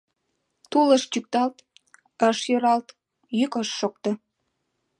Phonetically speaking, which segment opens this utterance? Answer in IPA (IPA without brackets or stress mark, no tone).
t̪